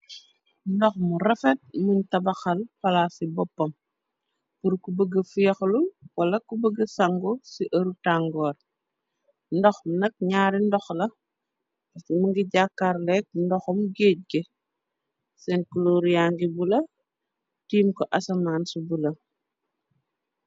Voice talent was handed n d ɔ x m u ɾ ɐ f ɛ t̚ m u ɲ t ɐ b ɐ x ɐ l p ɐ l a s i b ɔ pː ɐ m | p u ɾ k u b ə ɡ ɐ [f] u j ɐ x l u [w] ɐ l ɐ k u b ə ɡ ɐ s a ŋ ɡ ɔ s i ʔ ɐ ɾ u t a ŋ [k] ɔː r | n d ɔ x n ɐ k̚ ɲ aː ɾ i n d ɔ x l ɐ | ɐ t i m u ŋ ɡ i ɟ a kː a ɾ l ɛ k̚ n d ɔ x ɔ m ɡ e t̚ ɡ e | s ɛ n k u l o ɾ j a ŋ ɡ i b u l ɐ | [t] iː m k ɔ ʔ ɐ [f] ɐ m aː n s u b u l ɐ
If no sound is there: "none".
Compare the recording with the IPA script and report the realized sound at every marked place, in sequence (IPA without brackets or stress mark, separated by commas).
f, w, ɡ, t, s